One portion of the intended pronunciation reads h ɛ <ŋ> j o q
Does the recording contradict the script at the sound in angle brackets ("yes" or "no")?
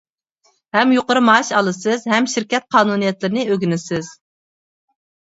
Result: yes